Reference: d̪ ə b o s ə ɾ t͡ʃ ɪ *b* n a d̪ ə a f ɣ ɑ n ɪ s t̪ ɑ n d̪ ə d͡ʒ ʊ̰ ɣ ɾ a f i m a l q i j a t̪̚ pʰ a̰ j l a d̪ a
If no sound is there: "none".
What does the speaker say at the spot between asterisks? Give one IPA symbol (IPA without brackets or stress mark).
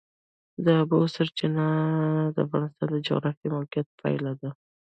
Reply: none